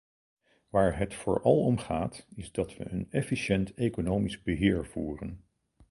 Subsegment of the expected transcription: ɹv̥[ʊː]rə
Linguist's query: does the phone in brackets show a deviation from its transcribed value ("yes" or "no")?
yes